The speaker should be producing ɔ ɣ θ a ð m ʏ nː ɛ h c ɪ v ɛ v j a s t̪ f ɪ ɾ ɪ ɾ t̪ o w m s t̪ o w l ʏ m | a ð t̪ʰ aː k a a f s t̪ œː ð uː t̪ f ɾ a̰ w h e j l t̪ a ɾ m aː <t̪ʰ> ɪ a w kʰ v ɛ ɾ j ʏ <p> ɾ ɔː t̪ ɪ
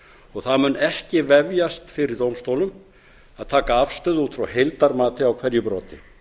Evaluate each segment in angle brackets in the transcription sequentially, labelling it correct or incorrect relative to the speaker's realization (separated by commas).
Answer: incorrect, correct